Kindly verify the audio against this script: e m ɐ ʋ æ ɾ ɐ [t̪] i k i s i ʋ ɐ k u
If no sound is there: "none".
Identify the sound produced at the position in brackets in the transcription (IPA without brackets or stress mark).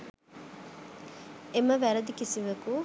d̪